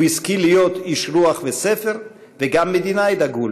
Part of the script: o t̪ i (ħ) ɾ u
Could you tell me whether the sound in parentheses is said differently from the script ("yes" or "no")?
yes